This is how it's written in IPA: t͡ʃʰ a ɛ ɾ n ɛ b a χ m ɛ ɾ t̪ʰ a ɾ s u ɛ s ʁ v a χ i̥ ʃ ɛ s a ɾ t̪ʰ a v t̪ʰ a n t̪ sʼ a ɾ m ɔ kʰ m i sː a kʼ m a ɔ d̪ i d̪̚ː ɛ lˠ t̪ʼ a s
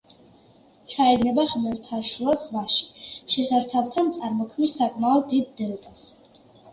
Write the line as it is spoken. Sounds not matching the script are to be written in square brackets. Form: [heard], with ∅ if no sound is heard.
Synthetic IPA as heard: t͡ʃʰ a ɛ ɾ n ɛ b a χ m ɛ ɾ t̪ʰ a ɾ [ʃ] u [a] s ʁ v a [ʃ] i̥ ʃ ɛ s a ɾ t̪ʰ a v t̪ʰ a n t̪ sʼ a ɾ m ɔ kʰ m i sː a kʼ m a ɔ d̪ i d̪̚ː ɛ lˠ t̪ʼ a s